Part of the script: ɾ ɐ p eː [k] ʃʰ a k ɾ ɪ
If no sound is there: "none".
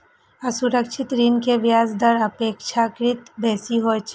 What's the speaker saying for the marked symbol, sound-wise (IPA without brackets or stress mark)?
k